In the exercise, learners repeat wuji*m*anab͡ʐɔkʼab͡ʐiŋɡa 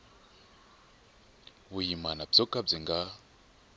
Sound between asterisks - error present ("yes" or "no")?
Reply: no